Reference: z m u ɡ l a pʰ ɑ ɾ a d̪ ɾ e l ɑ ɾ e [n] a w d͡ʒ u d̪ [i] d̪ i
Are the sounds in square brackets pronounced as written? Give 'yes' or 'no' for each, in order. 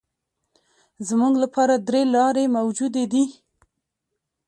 no, no

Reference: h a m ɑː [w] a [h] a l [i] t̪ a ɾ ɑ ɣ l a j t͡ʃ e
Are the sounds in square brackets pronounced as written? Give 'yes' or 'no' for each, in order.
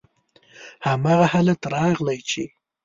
no, yes, no

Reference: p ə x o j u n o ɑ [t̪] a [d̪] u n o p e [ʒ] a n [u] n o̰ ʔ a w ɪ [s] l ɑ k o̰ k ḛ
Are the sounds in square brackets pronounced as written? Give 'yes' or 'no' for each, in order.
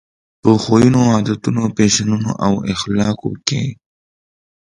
no, no, no, yes, no

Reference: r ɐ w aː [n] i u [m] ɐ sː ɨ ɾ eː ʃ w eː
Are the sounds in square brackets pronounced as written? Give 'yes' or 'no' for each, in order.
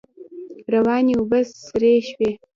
yes, no

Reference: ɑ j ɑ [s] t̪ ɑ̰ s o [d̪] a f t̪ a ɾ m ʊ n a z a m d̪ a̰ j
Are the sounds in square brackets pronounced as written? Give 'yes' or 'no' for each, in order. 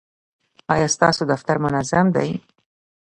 yes, yes

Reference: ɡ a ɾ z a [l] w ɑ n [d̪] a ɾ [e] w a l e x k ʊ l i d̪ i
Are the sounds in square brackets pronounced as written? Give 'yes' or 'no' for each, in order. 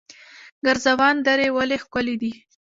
no, yes, yes

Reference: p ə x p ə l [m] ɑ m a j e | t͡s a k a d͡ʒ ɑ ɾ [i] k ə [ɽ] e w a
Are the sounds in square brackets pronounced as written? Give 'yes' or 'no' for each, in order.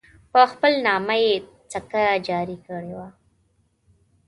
no, yes, yes

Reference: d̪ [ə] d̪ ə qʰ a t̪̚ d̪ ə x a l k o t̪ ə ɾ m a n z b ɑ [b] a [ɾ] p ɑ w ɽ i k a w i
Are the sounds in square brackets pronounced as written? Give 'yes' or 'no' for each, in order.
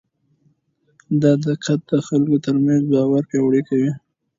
no, no, yes

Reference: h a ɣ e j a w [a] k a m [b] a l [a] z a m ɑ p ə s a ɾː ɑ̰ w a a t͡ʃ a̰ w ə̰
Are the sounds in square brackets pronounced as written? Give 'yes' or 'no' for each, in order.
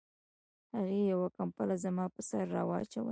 yes, no, yes

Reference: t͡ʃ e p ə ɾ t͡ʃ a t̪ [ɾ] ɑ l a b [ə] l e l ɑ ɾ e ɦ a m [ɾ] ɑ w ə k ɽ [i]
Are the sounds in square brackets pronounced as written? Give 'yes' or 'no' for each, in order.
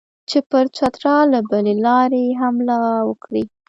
yes, yes, no, yes

